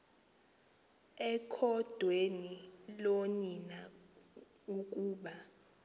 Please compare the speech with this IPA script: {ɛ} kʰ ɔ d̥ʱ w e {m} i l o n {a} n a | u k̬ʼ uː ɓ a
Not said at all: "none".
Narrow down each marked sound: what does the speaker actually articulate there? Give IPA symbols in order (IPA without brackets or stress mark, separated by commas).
ɛ, n, i